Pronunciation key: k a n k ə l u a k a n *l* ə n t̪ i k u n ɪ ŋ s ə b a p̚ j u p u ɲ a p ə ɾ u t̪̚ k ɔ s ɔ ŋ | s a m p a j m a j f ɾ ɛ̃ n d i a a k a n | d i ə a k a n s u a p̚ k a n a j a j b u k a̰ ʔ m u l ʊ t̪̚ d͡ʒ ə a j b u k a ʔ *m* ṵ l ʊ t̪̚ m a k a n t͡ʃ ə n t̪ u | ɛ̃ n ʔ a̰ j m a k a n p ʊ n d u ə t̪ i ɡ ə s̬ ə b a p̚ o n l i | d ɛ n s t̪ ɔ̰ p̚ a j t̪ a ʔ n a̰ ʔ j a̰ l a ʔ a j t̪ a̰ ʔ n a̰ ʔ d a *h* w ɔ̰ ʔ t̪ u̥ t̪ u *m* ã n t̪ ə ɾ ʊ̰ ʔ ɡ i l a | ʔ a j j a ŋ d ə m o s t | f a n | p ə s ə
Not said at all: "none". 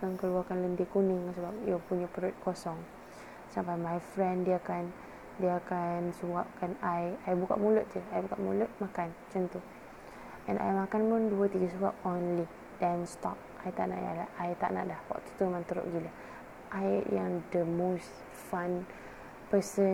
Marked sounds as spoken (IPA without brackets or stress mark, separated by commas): l, m, h, m